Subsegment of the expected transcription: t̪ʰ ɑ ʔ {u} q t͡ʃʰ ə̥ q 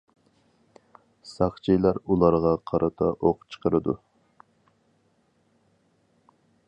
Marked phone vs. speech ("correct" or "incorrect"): incorrect